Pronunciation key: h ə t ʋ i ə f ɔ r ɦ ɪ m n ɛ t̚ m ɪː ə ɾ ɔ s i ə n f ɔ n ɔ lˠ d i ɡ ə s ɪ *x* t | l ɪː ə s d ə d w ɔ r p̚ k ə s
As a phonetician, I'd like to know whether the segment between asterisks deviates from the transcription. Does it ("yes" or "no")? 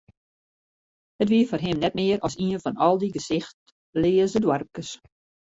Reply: no